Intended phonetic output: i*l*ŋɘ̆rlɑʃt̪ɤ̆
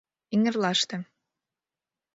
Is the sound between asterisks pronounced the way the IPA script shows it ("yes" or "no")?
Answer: no